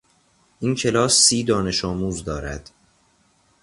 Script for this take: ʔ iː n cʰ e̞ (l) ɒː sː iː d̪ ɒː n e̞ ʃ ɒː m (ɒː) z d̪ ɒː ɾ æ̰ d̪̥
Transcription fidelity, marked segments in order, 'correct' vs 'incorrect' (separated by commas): correct, incorrect